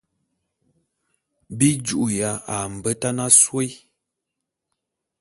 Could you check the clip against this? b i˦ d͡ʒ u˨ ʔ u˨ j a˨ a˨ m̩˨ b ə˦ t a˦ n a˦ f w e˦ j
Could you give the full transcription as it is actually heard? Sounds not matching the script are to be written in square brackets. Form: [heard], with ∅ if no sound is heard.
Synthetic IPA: b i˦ d͡ʒ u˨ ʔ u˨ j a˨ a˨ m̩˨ b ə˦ t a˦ n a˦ [s] w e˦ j